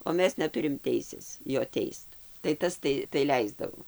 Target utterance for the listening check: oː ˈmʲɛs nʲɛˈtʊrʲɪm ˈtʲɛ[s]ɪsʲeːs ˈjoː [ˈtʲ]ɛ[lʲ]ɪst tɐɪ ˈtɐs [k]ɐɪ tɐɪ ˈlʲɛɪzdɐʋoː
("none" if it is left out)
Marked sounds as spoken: none, tʲ, none, t

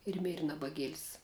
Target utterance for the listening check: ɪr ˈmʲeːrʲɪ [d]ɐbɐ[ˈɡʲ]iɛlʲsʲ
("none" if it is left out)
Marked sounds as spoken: n, ɡʲ

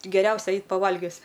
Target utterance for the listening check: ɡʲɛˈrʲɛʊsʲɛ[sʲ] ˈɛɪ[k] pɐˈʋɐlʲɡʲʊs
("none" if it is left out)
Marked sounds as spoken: none, t

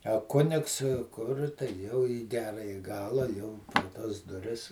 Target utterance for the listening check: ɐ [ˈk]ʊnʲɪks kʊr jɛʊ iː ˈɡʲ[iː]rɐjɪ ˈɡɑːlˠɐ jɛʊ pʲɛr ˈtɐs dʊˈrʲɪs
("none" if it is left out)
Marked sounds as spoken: k, æː

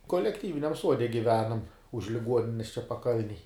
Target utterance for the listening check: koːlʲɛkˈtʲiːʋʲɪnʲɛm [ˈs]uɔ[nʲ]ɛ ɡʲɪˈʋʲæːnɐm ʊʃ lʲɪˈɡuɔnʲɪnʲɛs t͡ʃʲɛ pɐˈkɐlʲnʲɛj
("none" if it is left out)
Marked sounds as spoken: s, dʲ

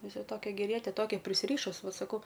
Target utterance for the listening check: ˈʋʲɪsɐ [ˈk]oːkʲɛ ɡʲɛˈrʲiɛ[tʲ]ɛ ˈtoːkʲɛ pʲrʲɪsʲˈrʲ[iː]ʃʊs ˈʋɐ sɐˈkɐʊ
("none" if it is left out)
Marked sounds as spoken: t, tʲ, iː

